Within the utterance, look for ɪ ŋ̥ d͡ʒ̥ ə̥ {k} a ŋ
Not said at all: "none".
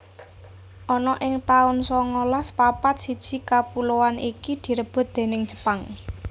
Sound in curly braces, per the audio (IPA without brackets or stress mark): p